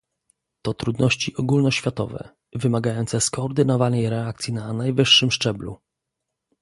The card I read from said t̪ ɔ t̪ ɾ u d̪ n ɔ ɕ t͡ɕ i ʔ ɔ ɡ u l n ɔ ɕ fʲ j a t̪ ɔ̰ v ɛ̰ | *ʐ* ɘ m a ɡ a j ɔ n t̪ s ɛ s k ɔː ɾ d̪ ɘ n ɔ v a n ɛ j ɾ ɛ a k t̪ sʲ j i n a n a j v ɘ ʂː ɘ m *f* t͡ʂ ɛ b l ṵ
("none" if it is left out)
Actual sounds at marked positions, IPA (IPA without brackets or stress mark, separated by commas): v, ʂ